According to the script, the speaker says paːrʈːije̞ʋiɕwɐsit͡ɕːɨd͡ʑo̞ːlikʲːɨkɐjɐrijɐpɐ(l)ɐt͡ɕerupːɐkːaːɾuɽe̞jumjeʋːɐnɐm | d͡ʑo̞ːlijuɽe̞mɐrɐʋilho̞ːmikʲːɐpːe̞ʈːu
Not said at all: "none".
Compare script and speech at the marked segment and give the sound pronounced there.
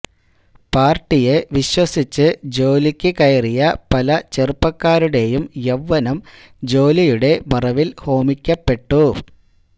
l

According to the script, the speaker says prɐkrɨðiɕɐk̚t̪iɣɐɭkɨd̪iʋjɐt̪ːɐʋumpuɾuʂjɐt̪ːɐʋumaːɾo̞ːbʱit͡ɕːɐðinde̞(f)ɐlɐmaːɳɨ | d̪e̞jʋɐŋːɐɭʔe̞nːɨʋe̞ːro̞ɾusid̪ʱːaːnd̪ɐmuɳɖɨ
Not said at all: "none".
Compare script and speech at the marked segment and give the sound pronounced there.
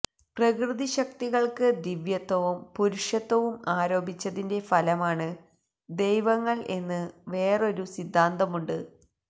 f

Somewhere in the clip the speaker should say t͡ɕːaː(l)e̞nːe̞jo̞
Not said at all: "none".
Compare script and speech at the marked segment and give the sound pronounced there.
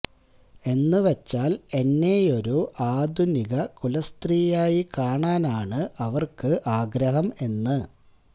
l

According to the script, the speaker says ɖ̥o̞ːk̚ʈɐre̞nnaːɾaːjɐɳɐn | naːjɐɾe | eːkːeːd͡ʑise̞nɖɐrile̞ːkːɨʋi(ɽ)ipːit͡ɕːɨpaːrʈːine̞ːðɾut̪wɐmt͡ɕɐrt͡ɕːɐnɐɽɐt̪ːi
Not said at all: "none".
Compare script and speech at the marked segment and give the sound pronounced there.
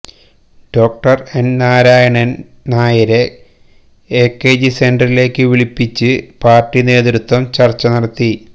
ɭ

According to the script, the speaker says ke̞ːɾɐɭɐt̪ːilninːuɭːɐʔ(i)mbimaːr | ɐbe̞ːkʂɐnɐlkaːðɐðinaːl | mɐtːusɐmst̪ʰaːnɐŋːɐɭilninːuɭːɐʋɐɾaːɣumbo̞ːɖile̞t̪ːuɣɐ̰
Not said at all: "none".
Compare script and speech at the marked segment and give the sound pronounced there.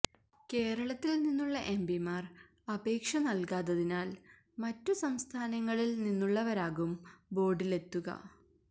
e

